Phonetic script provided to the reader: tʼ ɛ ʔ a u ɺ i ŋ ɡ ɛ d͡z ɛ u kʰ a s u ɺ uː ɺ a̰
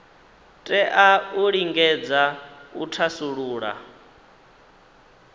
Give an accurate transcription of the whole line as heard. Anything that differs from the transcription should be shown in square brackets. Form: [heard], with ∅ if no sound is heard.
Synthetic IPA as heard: tʼ ɛ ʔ a u ɺ i ŋ ɡ ɛ d͡z [a] u [tʰ] a s u ɺ uː ɺ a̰